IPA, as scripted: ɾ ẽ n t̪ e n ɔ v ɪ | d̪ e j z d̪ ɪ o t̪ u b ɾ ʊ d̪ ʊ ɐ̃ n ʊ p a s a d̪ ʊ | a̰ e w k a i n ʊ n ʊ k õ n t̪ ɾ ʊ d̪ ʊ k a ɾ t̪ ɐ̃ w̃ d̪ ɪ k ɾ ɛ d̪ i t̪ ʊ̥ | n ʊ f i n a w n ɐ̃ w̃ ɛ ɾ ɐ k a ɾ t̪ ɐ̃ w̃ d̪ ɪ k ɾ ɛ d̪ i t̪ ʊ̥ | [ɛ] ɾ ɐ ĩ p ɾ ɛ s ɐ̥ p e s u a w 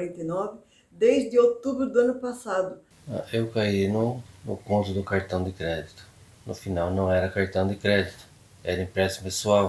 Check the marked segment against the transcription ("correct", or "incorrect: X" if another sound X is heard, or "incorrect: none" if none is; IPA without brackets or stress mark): correct